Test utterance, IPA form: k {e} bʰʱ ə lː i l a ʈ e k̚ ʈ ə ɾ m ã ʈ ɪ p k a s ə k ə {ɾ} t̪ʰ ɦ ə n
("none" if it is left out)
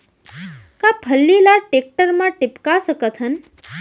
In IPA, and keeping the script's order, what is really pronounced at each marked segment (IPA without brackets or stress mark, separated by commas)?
a, none